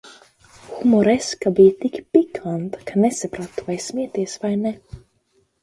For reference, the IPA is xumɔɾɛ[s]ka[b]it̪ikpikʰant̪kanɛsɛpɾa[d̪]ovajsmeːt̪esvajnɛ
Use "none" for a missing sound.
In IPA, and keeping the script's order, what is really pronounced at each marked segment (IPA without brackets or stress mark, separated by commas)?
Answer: s, b, t̪